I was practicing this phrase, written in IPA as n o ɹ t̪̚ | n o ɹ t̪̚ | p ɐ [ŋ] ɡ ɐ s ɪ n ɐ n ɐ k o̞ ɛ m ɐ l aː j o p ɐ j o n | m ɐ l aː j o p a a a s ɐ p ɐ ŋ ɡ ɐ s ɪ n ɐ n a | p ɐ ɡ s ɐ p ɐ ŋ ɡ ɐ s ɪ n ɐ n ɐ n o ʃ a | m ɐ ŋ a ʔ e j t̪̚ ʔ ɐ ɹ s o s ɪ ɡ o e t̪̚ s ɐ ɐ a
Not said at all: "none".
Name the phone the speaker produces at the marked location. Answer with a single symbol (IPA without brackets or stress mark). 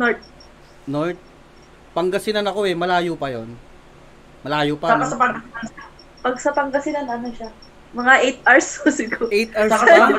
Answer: ŋ